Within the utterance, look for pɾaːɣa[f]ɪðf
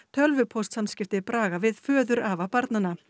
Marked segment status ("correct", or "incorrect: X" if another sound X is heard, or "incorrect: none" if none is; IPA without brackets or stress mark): incorrect: v